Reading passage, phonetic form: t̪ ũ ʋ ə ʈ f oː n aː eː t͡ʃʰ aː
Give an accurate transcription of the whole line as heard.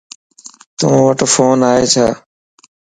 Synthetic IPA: t̪ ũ ʋ ə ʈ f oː n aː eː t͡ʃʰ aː

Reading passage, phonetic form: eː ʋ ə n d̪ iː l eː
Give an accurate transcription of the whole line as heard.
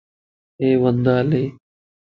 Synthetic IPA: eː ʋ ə n d̪ aː l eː

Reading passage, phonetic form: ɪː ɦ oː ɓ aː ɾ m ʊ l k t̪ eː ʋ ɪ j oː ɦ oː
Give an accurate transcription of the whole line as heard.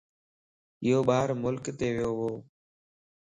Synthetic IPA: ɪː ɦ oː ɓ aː ɾ m ʊ l k t̪ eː ʋ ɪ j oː ɦ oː

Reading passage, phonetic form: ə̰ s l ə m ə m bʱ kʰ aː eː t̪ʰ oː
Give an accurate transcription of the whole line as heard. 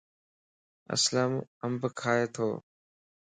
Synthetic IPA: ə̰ s l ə m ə m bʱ kʰ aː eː t̪ʰ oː

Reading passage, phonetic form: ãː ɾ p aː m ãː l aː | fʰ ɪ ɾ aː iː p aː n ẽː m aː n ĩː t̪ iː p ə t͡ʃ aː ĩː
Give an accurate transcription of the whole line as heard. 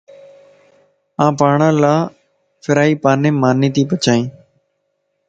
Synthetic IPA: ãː p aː ɳ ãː l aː | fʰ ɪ ɾ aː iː p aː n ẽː m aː n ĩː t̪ iː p ə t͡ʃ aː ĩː

